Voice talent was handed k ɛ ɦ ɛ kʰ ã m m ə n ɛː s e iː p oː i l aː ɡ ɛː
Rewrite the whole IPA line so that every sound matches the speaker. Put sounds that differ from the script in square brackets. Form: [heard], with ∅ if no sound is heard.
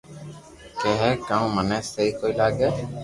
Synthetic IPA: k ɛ ɦ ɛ [k] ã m m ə n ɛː s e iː [k] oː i l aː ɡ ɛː